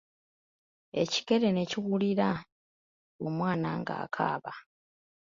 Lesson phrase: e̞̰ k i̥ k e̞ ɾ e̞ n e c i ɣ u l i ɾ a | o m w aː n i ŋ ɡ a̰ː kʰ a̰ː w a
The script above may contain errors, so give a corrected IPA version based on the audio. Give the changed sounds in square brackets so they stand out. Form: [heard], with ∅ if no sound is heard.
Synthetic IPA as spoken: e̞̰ [c] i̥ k e̞ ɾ e̞ n e c i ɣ u l i ɾ a | o m w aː n [a] ŋ ɡ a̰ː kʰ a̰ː [β] a